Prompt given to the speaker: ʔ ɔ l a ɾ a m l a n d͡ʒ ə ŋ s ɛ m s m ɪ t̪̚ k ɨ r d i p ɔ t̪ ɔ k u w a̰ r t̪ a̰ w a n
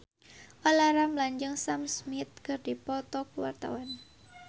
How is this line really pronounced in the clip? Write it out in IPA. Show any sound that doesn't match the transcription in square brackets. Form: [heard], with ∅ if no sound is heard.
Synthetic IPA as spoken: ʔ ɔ l a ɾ a m l a [ɲ] d͡ʒ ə ŋ s [a] m s m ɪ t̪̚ k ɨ r d i p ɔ t̪ ɔ k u w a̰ r t̪ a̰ w a n

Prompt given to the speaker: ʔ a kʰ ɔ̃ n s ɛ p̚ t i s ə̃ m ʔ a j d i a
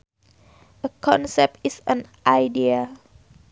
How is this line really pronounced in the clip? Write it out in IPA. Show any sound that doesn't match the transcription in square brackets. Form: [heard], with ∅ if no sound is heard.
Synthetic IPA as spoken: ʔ [ə] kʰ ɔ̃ n s ɛ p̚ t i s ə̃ [n] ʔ a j d i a

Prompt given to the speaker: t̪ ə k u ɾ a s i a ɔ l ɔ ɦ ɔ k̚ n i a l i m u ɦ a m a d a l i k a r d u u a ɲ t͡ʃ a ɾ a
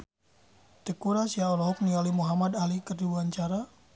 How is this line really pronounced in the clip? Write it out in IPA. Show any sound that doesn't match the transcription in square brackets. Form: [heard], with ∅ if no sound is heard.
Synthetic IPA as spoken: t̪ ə k u ɾ a s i a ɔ l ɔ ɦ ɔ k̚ n i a l i m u ɦ a m a d a l i k [ə] r d u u a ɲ t͡ʃ a ɾ a

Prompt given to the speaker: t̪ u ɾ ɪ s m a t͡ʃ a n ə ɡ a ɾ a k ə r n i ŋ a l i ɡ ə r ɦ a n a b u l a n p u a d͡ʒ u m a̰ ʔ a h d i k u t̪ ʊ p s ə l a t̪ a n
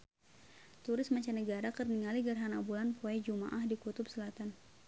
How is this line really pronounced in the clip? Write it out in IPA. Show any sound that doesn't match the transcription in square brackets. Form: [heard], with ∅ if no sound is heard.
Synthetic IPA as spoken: t̪ u ɾ ɪ s m a t͡ʃ a n ə ɡ a ɾ a k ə r n i ŋ a l i ɡ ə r ɦ a n a b u l a n p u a d͡ʒ u m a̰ ʔ a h d i k u t̪ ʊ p s ə l a t̪ a n

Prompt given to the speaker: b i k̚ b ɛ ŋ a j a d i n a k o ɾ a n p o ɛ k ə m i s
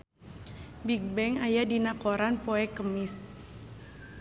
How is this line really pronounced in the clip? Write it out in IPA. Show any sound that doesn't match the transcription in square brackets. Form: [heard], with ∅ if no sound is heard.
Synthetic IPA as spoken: b i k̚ b ɛ ŋ a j a d i n a k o ɾ a n p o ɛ k ə m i s

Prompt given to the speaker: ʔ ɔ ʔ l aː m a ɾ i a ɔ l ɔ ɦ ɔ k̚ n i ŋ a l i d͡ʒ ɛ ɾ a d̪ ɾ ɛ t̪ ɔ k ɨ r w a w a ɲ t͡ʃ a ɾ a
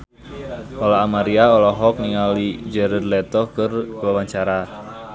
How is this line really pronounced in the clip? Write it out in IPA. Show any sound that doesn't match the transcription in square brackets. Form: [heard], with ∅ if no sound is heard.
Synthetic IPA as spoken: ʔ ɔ [∅] l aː m a ɾ i a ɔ l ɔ ɦ ɔ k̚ n i ŋ a l i d͡ʒ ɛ ɾ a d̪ [l] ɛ t̪ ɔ k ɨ r w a w a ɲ t͡ʃ a ɾ a

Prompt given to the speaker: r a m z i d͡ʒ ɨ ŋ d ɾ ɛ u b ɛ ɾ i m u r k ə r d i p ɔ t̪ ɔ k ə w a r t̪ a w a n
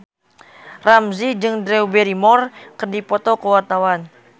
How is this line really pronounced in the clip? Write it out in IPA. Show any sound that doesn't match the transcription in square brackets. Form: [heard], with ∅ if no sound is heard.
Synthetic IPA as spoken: r a m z i d͡ʒ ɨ ŋ d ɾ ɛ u b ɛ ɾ i m [ɔ] r k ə r d i p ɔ t̪ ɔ k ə w a r t̪ a w a n

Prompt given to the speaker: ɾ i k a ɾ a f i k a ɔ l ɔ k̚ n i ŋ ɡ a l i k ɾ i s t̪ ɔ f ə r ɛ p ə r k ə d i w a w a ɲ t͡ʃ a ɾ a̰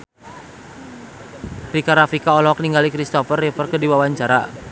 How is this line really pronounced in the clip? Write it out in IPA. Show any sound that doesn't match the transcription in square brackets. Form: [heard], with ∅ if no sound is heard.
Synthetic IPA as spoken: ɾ i k a ɾ a f i k a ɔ l ɔ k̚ n i ŋ ɡ a l i k ɾ i s t̪ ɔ f ə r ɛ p ə r k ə d i w a w a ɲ t͡ʃ a ɾ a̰

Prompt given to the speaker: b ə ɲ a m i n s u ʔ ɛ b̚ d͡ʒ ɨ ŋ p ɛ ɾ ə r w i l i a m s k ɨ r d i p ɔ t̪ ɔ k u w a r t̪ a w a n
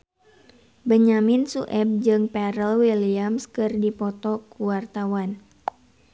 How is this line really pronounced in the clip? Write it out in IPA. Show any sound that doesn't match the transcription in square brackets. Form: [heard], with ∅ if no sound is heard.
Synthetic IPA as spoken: b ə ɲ a m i n s u ʔ ɛ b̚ d͡ʒ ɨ ŋ p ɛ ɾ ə [l] w i l i a m s k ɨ r d i p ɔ t̪ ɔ k u w a r t̪ a w a n

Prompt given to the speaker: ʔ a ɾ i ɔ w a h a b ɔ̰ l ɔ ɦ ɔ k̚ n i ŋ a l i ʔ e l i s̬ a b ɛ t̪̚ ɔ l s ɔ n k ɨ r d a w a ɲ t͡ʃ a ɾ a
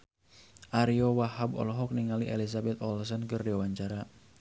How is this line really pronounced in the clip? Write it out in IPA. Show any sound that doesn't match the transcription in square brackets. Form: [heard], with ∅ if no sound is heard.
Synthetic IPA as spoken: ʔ a ɾ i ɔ w a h a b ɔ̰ l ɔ ɦ ɔ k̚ n i ŋ a l i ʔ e l i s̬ a b ɛ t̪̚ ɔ l s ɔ n k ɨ r d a w a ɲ t͡ʃ a ɾ a

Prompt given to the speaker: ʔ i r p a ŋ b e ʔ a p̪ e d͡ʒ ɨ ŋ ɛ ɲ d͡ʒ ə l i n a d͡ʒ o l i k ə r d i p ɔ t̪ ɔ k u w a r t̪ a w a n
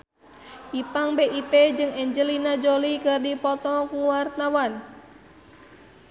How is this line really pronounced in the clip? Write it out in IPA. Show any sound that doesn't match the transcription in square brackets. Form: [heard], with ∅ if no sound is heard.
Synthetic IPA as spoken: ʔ i [∅] p a ŋ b e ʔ [i] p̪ e d͡ʒ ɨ ŋ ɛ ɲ d͡ʒ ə l i n a d͡ʒ o l i k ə r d i p ɔ t̪ ɔ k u w a r t̪ a w a n

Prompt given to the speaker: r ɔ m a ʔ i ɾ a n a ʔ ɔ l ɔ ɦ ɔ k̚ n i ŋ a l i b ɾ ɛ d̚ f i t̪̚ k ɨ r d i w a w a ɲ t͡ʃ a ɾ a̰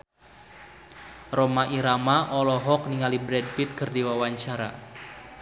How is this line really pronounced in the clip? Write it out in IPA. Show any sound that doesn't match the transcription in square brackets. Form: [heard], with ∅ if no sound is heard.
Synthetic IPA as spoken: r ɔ m a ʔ i ɾ a [m] a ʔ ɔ l ɔ ɦ ɔ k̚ n i ŋ a l i b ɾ ɛ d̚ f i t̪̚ k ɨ r d i w a w a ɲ t͡ʃ a ɾ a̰

